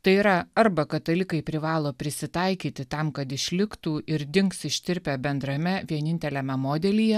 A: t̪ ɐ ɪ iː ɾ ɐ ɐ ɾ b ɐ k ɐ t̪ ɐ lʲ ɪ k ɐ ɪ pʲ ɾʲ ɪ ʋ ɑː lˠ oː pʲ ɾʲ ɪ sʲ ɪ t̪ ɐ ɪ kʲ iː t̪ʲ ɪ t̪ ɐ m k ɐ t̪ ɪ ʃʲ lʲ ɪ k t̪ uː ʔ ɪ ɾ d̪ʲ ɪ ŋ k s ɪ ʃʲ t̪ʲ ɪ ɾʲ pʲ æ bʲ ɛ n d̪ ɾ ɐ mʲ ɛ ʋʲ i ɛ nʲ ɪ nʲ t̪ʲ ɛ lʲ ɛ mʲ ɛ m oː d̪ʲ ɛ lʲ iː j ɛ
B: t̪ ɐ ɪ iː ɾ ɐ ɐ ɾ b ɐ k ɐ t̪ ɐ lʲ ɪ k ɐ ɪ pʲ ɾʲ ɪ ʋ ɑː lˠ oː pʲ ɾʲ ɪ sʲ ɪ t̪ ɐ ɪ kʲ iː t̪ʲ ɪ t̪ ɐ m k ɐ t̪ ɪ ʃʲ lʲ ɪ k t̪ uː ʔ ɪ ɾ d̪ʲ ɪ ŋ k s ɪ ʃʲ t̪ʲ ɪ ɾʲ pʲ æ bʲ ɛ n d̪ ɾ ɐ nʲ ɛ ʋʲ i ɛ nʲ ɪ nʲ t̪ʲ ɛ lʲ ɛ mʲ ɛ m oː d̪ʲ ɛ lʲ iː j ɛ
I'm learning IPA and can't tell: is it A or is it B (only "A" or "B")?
A